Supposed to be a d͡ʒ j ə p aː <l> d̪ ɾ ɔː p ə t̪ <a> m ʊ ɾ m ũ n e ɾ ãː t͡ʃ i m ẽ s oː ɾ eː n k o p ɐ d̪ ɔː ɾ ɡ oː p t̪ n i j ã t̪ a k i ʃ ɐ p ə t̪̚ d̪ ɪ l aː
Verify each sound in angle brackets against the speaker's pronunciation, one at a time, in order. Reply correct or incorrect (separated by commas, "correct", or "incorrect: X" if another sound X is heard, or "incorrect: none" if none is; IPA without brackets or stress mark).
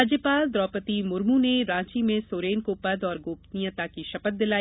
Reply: correct, incorrect: i